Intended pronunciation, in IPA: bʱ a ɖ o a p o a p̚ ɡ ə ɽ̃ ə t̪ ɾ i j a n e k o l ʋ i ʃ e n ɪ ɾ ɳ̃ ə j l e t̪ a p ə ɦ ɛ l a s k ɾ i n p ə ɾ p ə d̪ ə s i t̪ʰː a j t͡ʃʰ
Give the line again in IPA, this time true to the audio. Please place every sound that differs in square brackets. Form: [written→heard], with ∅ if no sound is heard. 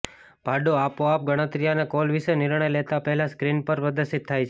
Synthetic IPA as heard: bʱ a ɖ o a p o a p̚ ɡ ə ɽ̃ ə t̪ ɾ i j a n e k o l ʋ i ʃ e n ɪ ɾ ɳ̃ ə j l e t̪ a p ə ɦ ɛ l a s k ɾ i n p ə ɾ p ə d̪ ə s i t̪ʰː a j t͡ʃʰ